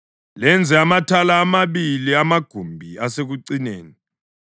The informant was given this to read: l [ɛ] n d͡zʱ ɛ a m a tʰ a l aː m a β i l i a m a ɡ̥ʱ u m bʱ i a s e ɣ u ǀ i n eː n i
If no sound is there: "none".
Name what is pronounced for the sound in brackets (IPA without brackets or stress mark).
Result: ɛ